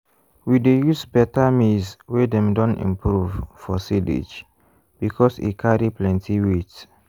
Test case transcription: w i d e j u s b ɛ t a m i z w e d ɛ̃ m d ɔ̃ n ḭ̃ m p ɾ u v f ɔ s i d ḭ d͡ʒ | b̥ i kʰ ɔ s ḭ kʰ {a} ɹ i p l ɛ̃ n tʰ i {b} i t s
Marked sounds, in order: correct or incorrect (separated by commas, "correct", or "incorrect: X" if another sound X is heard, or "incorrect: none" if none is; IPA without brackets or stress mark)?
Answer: correct, incorrect: w